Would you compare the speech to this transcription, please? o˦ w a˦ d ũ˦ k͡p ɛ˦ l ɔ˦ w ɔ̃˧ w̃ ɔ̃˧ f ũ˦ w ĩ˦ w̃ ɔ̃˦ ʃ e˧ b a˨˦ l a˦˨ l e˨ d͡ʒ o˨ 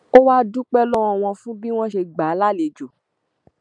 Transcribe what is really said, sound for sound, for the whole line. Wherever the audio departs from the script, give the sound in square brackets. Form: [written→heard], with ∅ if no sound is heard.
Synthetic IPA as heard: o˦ w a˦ d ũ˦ k͡p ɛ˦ l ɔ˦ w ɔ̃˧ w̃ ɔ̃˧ f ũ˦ [w→b] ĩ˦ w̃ ɔ̃˦ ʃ e˧ [b→ɡ͡b] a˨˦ l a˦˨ l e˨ d͡ʒ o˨

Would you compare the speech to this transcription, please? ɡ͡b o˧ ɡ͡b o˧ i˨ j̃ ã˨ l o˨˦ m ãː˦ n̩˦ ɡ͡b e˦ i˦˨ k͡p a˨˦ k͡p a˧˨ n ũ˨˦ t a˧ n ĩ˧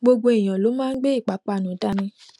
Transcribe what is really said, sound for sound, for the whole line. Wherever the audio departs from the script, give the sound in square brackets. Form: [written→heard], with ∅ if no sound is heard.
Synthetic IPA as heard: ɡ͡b o˧ ɡ͡b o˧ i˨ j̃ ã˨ l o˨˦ m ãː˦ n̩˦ ɡ͡b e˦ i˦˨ k͡p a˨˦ k͡p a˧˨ n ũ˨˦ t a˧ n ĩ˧

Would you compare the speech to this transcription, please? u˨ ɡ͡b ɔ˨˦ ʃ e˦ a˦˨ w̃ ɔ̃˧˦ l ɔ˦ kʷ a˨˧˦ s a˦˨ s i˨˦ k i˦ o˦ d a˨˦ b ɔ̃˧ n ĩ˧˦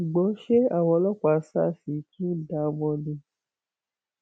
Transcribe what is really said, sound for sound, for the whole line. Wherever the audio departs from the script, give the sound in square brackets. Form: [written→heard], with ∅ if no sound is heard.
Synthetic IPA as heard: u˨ ɡ͡b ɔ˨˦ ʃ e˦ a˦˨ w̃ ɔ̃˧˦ l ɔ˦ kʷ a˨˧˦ s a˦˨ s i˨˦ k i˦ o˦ d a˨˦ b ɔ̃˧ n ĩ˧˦

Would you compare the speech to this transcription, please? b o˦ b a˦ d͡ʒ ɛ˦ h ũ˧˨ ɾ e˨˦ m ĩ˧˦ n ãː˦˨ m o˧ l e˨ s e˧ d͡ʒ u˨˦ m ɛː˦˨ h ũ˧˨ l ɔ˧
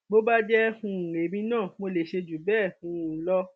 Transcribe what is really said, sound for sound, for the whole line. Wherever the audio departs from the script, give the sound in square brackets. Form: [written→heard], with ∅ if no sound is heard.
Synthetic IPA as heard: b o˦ b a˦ d͡ʒ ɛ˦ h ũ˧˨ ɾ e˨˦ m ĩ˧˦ n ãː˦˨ m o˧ l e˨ [s→ʃ] e˧ d͡ʒ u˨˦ [m→b] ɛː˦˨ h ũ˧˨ l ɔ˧

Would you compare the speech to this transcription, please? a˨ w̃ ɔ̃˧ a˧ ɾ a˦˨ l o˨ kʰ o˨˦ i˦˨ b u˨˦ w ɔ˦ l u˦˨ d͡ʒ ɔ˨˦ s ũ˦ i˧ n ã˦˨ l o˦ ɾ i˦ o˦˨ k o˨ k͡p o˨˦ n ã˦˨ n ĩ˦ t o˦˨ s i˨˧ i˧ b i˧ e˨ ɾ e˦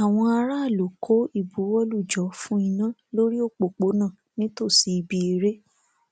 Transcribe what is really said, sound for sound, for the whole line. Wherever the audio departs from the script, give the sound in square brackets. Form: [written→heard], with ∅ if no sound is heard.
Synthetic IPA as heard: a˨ w̃ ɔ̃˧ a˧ ɾ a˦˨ l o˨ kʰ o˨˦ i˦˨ b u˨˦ w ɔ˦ l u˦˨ d͡ʒ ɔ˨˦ [s→f] ũ˦ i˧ n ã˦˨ l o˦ ɾ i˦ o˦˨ [k→k͡p] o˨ k͡p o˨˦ n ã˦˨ n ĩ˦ t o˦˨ s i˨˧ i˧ b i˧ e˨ ɾ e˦

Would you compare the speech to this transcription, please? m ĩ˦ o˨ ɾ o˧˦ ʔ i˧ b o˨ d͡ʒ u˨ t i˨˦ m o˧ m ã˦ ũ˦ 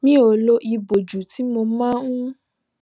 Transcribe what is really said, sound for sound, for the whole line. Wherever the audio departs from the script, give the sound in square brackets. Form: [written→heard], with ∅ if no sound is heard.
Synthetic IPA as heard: m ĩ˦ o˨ [ɾ→l] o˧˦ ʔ i˧ b o˨ d͡ʒ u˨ t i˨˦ m o˧ m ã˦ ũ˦

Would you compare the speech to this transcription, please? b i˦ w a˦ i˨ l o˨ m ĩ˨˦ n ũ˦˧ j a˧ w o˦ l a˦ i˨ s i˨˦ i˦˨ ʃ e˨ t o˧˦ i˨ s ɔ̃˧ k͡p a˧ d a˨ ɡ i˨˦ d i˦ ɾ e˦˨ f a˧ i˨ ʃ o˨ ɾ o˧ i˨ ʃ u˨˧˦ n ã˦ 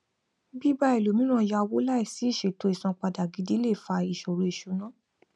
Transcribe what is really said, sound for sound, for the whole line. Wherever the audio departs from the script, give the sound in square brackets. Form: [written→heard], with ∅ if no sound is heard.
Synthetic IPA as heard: b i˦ [w→b] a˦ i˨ l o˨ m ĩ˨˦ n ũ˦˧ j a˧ w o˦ l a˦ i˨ s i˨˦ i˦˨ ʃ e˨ t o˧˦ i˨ s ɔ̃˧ k͡p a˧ d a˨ ɡ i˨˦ d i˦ [ɾ→l] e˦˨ f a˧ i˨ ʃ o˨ ɾ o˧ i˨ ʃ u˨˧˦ n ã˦

